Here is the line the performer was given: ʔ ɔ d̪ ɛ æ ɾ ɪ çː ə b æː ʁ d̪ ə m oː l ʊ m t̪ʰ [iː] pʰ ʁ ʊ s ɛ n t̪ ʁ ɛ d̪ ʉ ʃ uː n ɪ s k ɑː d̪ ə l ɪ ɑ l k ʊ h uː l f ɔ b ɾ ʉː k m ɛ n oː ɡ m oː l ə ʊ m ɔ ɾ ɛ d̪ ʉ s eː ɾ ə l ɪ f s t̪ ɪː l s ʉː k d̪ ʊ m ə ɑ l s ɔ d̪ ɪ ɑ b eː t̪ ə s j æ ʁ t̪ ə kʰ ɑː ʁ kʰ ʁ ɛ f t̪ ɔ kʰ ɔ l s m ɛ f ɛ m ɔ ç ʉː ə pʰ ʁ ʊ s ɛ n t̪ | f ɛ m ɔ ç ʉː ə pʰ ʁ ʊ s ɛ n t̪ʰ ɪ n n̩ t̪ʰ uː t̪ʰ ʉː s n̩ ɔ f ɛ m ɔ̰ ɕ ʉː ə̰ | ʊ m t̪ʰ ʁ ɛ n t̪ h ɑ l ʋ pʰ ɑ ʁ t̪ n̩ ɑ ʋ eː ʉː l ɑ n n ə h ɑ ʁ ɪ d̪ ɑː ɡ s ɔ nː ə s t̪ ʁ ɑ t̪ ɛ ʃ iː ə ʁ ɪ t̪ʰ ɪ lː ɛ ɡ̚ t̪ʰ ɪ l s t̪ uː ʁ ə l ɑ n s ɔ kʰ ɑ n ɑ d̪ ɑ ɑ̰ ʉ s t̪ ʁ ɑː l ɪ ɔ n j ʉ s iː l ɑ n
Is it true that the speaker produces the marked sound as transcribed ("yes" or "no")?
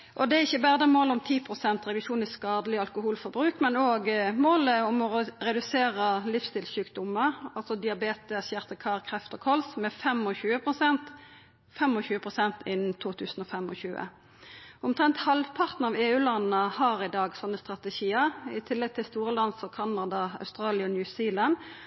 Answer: yes